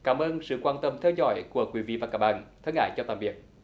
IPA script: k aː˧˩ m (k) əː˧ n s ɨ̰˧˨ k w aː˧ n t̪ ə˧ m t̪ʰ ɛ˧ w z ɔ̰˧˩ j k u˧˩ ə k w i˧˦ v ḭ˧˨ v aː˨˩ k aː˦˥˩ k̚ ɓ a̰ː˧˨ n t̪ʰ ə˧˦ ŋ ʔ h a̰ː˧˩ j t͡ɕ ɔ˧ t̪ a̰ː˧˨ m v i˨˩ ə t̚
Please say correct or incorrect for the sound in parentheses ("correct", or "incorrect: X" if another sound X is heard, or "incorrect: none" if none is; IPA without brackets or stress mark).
incorrect: ʔ